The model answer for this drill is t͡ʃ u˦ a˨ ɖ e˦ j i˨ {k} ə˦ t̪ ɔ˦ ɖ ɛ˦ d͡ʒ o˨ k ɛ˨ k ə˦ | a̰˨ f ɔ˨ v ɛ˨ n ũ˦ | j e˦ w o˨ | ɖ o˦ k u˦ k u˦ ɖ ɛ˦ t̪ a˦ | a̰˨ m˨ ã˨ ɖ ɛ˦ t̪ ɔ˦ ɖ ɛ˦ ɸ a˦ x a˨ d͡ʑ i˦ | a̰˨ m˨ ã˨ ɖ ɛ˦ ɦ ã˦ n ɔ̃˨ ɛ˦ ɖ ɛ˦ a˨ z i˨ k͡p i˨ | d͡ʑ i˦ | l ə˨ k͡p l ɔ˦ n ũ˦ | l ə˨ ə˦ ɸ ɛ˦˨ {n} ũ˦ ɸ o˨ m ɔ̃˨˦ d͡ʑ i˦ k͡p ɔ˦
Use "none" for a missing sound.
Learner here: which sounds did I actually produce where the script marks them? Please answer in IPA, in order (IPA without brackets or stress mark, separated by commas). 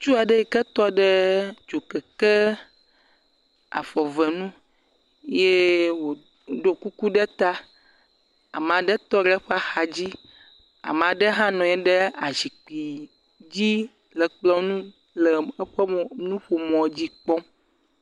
k, n